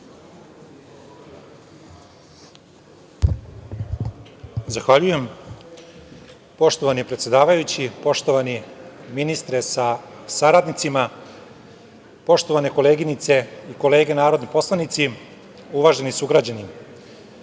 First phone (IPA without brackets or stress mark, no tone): z